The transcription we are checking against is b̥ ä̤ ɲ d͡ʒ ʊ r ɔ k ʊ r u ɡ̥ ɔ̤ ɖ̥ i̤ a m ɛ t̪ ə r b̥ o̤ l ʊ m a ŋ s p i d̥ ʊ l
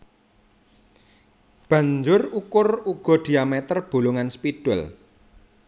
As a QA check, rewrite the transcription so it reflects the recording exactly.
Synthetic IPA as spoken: b̥ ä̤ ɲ d͡ʒ ʊ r u k ʊ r u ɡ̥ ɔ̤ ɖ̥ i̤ a m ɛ t̪ ə r b̥ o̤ l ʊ ŋ a n s p i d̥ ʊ l